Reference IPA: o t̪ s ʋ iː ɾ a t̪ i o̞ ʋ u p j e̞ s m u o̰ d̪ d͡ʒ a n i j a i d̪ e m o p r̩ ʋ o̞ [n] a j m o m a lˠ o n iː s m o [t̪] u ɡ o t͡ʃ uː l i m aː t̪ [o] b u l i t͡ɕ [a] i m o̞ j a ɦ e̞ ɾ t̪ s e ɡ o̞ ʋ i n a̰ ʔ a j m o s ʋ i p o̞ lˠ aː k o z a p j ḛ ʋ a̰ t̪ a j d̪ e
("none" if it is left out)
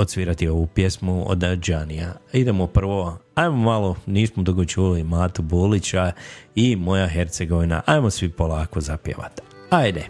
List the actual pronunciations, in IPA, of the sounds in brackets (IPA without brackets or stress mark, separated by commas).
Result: none, d̪, u, a